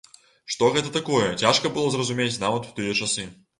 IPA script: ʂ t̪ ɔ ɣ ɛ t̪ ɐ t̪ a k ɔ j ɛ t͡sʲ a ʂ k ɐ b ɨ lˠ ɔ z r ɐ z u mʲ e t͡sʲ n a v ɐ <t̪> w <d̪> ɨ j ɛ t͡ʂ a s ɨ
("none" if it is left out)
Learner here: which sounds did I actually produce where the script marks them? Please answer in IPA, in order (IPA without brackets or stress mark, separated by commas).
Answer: t̪, t̪